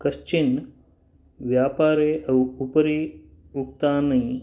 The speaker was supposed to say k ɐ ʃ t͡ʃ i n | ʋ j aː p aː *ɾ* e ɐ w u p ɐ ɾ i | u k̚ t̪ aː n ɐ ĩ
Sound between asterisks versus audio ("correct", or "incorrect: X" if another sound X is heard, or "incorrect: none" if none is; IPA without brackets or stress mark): correct